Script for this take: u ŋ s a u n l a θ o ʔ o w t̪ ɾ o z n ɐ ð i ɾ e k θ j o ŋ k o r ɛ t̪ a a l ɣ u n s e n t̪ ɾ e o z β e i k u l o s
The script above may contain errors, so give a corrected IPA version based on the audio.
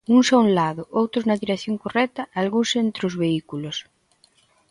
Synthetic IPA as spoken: u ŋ s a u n l a ð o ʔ o w t̪ ɾ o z n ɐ ð i ɾ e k θ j o ŋ k o r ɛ t̪ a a l ɣ u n s e n t̪ ɾ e o z β e i k u l o s